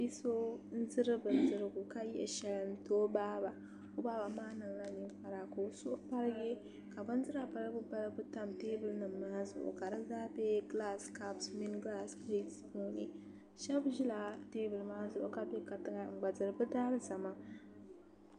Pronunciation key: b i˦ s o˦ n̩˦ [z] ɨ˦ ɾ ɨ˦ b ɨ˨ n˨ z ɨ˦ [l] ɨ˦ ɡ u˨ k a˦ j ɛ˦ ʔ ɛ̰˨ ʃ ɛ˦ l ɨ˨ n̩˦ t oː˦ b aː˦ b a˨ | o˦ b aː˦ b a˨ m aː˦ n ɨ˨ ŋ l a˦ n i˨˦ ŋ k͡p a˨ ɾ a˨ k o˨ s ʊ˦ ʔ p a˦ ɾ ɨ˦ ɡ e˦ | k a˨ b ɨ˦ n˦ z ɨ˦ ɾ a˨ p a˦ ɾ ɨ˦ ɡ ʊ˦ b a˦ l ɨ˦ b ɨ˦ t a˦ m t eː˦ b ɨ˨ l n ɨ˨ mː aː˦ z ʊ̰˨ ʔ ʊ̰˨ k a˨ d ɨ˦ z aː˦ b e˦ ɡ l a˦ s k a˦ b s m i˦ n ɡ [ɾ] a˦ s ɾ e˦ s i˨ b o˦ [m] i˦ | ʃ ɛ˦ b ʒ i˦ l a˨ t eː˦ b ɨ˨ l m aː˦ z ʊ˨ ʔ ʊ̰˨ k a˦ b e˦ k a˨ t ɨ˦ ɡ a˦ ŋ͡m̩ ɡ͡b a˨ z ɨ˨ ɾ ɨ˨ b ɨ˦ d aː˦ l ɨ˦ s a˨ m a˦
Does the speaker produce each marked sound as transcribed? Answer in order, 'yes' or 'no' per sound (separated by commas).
yes, no, no, no